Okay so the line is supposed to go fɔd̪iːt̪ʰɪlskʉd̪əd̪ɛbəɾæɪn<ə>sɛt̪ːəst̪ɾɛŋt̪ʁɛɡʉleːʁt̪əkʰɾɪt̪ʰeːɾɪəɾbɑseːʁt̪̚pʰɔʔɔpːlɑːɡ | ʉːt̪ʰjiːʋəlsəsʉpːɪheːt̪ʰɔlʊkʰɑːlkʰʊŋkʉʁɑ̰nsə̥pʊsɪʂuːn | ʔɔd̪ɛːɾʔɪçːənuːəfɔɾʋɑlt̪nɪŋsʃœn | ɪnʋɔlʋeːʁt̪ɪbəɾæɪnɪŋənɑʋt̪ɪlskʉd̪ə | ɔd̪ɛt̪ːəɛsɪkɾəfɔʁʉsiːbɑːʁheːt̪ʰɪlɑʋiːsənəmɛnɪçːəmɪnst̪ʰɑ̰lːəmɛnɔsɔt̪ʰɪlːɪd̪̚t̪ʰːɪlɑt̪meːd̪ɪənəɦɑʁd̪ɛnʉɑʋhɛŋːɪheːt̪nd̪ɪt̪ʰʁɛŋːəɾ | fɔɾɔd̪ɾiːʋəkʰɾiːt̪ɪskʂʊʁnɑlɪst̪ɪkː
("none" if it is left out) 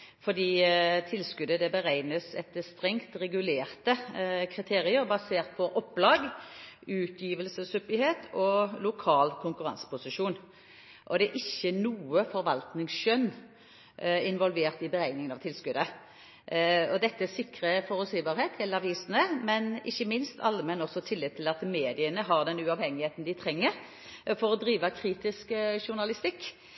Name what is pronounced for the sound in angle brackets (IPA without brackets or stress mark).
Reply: ə